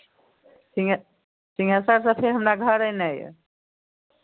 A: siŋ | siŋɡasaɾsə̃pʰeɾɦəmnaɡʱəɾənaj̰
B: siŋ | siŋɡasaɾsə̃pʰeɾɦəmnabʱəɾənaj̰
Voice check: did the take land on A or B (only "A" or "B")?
A